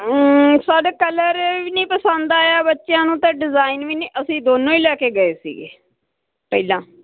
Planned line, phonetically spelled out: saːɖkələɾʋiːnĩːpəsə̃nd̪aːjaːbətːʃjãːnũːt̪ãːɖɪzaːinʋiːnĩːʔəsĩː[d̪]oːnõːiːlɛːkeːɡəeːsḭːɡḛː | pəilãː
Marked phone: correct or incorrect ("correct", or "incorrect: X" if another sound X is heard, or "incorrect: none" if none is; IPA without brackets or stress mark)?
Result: correct